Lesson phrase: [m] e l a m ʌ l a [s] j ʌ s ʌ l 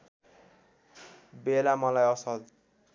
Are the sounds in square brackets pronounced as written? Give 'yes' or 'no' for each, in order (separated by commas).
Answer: no, no